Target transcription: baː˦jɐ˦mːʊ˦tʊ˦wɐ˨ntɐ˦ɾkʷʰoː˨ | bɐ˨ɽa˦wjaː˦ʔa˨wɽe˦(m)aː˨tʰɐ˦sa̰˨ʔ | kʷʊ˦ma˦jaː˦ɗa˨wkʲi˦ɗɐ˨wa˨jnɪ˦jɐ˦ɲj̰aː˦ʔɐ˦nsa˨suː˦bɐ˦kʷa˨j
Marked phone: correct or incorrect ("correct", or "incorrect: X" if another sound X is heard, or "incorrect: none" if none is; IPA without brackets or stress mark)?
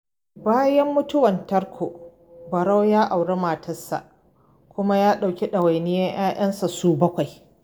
correct